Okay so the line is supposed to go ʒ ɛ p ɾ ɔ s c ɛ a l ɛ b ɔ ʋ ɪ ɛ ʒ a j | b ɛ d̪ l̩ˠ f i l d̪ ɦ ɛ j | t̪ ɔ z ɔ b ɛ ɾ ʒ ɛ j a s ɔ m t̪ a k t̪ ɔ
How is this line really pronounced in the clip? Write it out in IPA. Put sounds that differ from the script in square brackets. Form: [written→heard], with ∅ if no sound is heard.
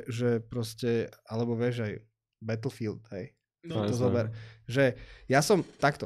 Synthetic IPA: ʒ ɛ p ɾ ɔ s c ɛ a l ɛ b ɔ ʋ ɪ ɛ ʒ a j | b ɛ [d̪→t̪] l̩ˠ f i l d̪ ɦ ɛ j | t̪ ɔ z ɔ b ɛ ɾ ʒ ɛ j a s ɔ m t̪ a k t̪ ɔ